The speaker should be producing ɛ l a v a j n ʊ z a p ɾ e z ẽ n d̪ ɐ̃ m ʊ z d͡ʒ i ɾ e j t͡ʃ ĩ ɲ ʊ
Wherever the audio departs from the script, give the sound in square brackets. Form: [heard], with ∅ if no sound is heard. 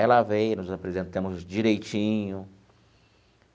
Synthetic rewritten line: ɛ l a v [e] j n ʊ z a p ɾ e z ẽ n [t̪] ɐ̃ m ʊ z d͡ʒ i ɾ e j t͡ʃ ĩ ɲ ʊ